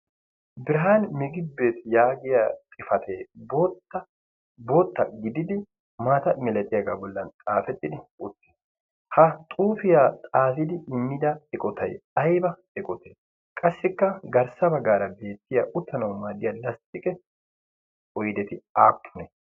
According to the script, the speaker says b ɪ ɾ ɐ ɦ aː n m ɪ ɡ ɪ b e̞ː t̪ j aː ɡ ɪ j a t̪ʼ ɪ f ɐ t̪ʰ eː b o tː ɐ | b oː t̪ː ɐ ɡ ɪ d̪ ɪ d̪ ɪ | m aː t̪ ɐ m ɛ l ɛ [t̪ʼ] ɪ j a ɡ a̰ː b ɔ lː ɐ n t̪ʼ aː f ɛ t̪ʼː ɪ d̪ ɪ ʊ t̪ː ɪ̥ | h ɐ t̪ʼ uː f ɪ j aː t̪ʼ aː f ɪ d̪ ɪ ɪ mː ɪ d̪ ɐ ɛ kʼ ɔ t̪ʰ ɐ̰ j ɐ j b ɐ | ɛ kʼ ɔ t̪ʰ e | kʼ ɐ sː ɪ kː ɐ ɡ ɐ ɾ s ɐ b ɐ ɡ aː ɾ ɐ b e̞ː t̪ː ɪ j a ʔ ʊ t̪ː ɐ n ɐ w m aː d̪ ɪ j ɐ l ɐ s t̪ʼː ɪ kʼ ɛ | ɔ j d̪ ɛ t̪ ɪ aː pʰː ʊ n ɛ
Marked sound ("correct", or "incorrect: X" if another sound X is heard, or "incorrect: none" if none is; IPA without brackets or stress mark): correct